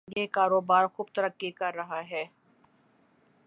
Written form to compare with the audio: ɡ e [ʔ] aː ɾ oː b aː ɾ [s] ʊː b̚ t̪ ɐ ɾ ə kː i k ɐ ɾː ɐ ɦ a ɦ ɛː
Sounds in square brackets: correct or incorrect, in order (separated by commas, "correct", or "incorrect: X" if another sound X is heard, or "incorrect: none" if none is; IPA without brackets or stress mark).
incorrect: k, incorrect: x